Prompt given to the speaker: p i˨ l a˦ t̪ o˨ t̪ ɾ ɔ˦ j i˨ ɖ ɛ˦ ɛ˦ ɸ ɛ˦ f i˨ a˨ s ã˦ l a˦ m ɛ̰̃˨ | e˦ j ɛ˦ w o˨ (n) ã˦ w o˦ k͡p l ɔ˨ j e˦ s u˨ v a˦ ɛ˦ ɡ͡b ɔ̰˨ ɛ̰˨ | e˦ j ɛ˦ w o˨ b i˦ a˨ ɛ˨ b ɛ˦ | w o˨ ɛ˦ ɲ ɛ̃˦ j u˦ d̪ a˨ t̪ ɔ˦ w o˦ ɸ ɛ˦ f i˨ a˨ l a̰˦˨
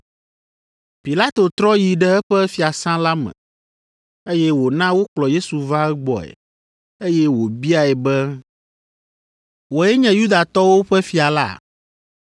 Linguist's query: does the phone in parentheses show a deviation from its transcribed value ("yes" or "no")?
no